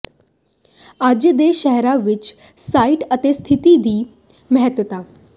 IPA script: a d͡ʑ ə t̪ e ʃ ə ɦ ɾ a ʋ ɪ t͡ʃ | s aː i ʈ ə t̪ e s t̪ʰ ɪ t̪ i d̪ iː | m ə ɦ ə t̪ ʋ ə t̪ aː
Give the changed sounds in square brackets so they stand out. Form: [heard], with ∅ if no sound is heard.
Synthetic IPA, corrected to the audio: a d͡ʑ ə [d̪] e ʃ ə ɦ ɾ a ʋ ɪ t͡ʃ | s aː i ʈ ə t̪ e s t̪ʰ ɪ t̪ i d̪ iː | m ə ɦ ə t̪ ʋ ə t̪ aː

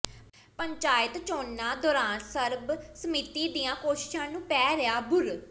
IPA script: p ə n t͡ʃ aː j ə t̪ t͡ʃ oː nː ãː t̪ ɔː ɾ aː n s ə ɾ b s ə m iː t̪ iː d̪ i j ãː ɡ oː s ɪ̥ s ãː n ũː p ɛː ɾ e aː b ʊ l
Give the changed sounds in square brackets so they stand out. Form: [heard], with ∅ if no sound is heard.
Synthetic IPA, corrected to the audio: p ə [ɲ] t͡ʃ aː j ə t̪ t͡ʃ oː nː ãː [d̪] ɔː ɾ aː n s ə ɾ b s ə m iː t̪ iː d̪ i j ãː [k] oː [ʃ] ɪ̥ [ʃ] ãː n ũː p ɛː ɾ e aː b ʊ [ɾ]

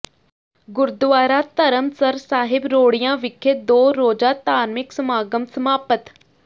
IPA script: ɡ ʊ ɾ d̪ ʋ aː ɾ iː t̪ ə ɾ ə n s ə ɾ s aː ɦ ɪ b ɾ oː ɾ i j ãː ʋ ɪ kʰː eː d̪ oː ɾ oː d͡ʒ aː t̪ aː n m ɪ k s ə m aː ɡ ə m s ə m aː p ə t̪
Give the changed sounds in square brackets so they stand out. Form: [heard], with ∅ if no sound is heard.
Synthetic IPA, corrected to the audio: ɡ ʊ ɾ d̪ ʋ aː ɾ [aː] t̪ ə ɾ ə [m] s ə ɾ s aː ɦ ɪ b ɾ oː [ɽ] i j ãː ʋ ɪ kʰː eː d̪ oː ɾ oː d͡ʒ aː t̪ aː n m ɪ k s ə m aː ɡ ə m s ə m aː p ə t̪

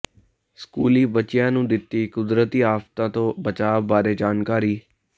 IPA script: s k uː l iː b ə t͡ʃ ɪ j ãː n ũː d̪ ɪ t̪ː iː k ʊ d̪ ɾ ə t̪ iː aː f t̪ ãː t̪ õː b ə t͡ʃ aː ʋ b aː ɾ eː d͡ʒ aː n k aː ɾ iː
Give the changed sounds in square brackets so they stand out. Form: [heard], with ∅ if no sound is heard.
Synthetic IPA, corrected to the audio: s k uː l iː b ə t͡ʃ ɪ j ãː n ũː d̪ ɪ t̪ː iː k ʊ d̪ ɾ ə t̪ iː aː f t̪ ãː t̪ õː b ə t͡ʃ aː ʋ b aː ɾ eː d͡ʒ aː n k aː ɾ iː

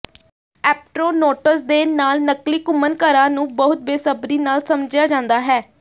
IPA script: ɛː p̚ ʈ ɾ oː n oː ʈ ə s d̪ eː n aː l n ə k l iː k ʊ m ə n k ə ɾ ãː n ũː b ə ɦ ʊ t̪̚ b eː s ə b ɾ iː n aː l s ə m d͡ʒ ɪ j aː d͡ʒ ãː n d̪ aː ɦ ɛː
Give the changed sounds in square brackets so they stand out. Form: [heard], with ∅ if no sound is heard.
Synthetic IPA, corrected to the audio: ɛː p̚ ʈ ɾ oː n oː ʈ ə s d̪ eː n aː l n ə k l iː k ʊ m ə n k ə ɾ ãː n ũː b ə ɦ ʊ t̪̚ b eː s ə b ɾ iː n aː l s ə m d͡ʒ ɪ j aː d͡ʒ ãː n d̪ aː ɦ ɛː

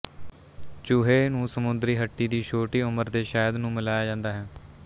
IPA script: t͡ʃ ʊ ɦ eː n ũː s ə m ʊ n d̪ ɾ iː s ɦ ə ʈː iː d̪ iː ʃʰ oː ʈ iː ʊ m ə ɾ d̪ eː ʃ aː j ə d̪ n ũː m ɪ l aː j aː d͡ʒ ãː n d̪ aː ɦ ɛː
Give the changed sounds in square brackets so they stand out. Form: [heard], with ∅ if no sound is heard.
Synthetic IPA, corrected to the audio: t͡ʃ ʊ ɦ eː n ũː s ə m ʊ n d̪ ɾ iː [∅] ɦ ə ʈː iː d̪ iː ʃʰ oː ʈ iː ʊ m ə ɾ d̪ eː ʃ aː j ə d̪ n ũː m ɪ l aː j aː d͡ʒ ãː n d̪ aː ɦ ɛː

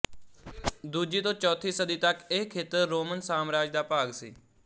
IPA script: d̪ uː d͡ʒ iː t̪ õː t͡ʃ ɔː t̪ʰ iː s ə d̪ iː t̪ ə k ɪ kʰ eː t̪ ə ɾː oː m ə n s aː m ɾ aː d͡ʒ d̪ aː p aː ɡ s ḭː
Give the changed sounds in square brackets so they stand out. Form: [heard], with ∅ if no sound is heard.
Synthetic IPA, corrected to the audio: d̪ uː d͡ʒ iː t̪ õː t͡ʃ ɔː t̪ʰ iː s ə d̪ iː t̪ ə k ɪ kʰ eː t̪ ə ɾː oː m ə n s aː m ɾ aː d͡ʒ d̪ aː p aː ɡ s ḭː

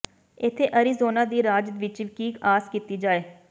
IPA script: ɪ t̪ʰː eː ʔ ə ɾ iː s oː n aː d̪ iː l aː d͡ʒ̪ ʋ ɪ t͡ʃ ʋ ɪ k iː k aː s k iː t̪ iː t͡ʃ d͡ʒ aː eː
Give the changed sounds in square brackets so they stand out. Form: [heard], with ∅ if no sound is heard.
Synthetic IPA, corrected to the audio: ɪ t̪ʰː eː ʔ ə ɾ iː [z] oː n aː d̪ iː [ɾ] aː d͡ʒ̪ ʋ ɪ t͡ʃ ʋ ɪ k iː k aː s k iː t̪ iː [∅] d͡ʒ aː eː

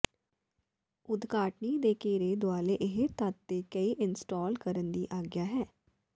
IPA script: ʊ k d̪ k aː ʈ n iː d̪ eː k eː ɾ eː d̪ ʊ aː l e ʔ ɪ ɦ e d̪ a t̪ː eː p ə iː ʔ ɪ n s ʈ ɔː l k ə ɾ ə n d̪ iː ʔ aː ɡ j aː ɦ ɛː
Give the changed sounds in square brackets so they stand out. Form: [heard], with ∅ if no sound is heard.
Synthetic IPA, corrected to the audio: ʊ [∅] d̪ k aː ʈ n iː d̪ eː k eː ɾ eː d̪ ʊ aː l e ʔ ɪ ɦ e [t̪] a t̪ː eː [k] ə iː ʔ ɪ n s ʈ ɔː l k ə ɾ ə n d̪ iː ʔ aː ɡ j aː ɦ ɛː

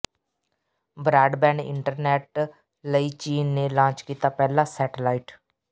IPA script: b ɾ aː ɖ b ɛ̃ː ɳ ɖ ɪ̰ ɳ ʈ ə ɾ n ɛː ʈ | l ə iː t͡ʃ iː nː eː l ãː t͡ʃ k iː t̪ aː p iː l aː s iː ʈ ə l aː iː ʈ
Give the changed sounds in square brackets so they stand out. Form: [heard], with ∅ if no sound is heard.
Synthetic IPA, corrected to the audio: b ɾ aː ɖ b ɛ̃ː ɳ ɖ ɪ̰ ɳ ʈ ə ɾ n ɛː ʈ | l ə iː t͡ʃ iː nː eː l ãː t͡ʃ k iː t̪ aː p [ɛː] l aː s [ɛː] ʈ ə l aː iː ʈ

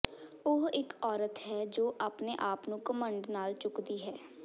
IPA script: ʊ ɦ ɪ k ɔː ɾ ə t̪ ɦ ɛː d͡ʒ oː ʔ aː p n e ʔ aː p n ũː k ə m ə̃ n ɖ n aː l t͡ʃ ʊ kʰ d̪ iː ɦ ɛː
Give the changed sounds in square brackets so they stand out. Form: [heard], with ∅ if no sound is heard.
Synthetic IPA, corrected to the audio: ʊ ɦ ɪ k ɔː ɾ ə t̪ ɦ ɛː d͡ʒ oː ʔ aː p n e ʔ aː p n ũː k ə m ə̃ [ɳ] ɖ n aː l t͡ʃ ʊ [k] d̪ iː ɦ ɛː

